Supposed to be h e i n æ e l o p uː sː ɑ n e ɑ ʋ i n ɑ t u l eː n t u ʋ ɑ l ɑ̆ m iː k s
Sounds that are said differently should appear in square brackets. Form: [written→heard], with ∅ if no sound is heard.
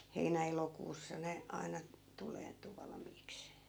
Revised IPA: h e i n æ e l o [p→k] uː sː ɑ n e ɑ [ʋ→∅] i n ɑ t u l eː n t u ʋ ɑ l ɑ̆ m iː k s